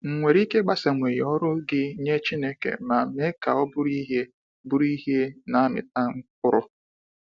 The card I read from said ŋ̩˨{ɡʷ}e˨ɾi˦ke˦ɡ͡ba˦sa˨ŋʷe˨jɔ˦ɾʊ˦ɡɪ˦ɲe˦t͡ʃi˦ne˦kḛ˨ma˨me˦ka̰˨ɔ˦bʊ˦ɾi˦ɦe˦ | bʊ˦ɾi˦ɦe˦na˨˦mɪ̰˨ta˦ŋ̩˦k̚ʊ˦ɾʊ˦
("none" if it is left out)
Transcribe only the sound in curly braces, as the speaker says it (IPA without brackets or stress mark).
ŋʷ